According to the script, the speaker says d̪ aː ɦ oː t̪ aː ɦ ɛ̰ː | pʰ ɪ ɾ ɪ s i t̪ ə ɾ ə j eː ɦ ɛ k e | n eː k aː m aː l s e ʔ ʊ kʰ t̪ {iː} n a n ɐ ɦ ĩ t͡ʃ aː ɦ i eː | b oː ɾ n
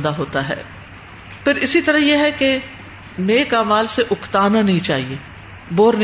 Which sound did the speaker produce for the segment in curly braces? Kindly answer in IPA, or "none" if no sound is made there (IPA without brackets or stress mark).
aː